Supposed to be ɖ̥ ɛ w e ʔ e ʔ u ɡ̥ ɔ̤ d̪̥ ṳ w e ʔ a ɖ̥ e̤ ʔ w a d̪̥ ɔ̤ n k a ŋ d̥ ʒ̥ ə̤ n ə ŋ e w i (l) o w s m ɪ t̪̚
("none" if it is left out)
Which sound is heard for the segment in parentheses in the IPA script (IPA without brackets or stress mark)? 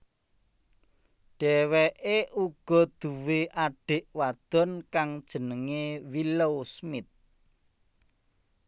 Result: l